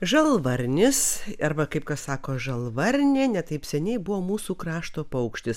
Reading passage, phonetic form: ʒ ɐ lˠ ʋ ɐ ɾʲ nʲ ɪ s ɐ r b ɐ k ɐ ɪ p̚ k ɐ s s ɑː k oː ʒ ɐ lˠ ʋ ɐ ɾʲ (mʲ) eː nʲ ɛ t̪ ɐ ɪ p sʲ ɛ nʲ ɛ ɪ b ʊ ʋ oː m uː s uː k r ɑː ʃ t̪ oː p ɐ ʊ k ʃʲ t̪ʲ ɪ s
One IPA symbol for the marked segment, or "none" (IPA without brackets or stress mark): nʲ